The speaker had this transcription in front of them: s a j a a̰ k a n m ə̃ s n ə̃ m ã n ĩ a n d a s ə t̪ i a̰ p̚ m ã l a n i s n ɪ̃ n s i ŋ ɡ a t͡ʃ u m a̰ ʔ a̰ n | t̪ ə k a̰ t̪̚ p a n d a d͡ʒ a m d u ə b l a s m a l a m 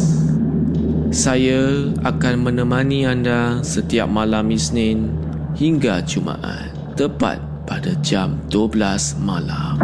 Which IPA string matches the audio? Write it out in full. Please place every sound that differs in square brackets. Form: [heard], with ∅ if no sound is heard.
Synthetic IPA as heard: s a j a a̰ k a n m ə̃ [∅] n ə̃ m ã n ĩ a n d a s ə t̪ i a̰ p̚ m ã l a [m] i s n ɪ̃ n [h] i ŋ ɡ a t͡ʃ u m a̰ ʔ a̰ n | t̪ ə [p] a̰ t̪̚ p a [∅] d a d͡ʒ a m d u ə b l a s m a l a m